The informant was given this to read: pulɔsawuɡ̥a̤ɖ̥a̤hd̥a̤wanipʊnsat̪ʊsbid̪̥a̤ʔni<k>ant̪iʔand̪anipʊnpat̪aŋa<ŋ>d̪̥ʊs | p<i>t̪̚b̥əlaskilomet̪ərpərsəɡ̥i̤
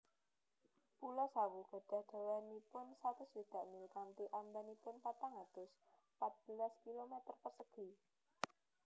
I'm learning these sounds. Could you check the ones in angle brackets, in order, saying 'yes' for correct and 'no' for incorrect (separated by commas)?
yes, no, no